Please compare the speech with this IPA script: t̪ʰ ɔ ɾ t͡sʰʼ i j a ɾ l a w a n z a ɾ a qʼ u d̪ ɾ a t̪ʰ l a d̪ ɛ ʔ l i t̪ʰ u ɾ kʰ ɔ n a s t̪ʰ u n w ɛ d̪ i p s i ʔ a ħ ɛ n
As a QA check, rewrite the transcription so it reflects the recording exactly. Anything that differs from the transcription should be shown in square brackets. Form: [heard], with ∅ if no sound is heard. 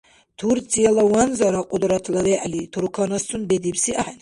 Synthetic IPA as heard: t̪ʰ [u] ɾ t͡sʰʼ i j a [∅] l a w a n z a ɾ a qʼ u d̪ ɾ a t̪ʰ l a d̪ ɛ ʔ l i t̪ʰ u ɾ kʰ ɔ n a s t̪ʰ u n [b] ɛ d̪ i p s i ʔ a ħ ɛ n